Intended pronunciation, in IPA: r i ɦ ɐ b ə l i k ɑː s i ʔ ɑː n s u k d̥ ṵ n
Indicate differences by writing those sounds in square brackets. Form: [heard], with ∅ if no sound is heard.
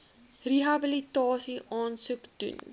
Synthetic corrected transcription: r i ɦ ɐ b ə l i [t] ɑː s i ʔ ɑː n s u k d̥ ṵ n